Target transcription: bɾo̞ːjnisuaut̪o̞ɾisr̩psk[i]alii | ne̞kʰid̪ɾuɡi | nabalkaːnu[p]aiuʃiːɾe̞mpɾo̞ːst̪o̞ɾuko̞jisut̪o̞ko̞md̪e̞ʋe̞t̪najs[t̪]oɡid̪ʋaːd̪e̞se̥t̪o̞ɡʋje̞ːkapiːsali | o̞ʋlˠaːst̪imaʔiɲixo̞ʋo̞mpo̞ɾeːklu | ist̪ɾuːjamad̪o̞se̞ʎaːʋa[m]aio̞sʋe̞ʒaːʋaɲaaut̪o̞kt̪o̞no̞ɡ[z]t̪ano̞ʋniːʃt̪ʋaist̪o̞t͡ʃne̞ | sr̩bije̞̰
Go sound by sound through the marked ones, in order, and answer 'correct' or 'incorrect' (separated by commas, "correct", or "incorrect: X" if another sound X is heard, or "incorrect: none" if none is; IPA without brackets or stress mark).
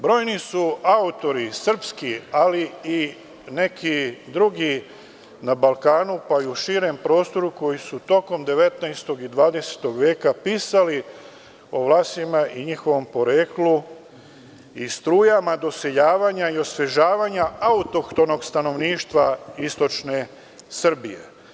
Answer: correct, correct, correct, incorrect: ɲ, incorrect: s